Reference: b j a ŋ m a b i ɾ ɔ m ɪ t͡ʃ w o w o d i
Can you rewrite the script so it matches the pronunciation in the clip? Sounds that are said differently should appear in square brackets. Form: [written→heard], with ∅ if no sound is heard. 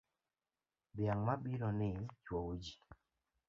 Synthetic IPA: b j a ŋ m a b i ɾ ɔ [m→n] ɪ t͡ʃ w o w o [d→d͡ʒ] i